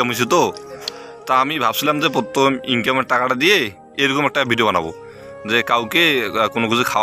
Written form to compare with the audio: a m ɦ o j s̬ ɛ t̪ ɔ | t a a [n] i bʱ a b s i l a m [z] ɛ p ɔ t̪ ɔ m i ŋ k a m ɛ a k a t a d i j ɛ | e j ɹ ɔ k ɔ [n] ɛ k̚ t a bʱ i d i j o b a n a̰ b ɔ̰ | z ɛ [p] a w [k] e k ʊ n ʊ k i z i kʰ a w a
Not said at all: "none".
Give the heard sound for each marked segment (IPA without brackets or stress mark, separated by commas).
m, z, m, k, k